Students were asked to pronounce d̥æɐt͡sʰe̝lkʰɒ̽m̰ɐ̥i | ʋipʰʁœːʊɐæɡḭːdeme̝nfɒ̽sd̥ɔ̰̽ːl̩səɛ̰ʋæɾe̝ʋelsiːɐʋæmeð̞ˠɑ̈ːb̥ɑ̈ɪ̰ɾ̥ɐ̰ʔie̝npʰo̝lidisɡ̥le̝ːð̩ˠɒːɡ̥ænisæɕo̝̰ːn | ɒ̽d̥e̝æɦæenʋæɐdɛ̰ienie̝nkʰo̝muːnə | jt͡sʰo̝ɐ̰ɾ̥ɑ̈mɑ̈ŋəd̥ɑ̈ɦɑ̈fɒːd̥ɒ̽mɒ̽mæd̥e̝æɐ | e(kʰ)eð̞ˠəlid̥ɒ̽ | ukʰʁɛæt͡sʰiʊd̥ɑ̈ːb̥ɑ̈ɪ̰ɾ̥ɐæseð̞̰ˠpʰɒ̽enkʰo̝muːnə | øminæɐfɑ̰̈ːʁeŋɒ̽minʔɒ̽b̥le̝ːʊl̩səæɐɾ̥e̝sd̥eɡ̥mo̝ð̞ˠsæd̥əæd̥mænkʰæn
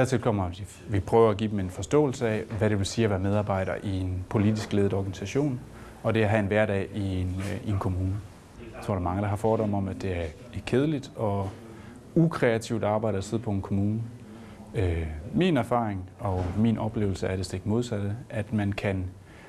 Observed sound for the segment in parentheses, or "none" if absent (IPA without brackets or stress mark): kʰ